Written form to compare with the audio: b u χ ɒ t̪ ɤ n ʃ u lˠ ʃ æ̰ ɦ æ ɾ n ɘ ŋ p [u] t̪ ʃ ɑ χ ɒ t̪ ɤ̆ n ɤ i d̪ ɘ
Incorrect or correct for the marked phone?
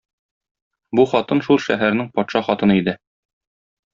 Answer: incorrect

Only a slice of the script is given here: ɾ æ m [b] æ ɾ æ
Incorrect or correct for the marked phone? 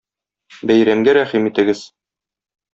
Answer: incorrect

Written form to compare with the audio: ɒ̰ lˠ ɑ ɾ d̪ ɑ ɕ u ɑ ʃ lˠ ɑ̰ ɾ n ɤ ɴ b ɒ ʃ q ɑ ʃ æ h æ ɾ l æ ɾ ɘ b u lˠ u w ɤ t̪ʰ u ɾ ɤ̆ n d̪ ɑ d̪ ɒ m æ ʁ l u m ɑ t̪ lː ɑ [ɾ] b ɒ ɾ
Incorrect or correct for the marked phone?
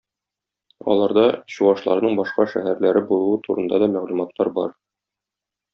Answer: correct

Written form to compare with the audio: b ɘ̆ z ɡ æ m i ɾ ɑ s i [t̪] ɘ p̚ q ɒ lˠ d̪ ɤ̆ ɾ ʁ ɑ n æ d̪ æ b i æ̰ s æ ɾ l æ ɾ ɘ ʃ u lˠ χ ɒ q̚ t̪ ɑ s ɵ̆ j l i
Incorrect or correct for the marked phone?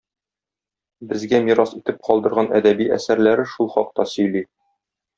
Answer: correct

